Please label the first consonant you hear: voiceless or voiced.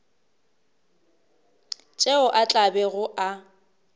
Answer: voiceless